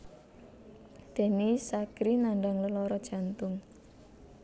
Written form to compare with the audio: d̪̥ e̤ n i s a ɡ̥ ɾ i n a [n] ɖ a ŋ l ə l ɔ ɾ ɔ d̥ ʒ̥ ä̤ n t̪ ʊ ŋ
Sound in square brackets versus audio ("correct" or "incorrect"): incorrect